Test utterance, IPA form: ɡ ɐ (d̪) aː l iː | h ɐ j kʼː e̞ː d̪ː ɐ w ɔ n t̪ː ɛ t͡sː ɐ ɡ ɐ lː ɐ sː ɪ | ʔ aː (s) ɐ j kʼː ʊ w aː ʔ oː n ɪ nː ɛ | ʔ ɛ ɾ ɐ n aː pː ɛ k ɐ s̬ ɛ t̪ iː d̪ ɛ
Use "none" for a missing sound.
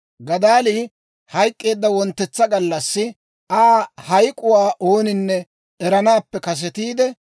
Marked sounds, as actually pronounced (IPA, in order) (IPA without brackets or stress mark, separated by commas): d̪, h